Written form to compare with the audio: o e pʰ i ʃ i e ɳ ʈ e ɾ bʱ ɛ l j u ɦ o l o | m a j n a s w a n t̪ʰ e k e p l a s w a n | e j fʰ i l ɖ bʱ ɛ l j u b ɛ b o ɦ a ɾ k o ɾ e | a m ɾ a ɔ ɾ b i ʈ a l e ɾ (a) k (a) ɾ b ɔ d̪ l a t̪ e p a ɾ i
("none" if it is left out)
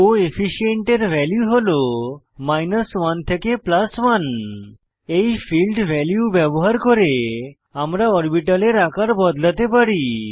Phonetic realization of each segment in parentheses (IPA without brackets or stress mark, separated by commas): a, a